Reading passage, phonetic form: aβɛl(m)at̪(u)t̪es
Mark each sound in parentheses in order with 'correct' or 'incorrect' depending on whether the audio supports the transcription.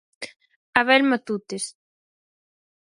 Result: correct, correct

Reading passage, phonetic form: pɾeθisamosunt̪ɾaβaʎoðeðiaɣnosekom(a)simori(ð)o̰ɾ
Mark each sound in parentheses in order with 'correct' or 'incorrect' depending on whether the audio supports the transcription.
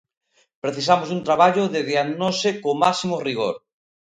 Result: correct, incorrect: ɣ

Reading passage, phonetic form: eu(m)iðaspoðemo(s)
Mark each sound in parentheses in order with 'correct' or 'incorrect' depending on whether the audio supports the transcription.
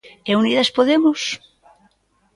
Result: incorrect: n, correct

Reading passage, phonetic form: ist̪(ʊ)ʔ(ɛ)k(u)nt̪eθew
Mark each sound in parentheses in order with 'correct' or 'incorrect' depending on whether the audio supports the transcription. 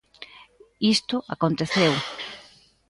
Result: correct, incorrect: a, incorrect: o

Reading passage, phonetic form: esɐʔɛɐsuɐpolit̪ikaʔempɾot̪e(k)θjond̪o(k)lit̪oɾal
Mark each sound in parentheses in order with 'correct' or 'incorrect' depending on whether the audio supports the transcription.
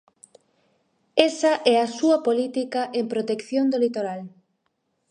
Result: correct, incorrect: none

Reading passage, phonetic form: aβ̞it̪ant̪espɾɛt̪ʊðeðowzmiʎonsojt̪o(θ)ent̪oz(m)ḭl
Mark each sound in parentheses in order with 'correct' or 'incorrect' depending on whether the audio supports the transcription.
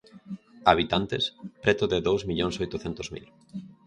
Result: correct, correct

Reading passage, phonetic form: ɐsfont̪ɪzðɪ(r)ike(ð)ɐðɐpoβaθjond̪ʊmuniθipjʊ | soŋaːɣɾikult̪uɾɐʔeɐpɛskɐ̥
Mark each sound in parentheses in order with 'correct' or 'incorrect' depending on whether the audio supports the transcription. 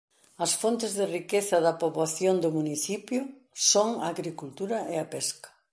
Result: correct, incorrect: θ

